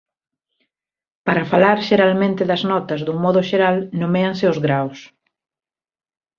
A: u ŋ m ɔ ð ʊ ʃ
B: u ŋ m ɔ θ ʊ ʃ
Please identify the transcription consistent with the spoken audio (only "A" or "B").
A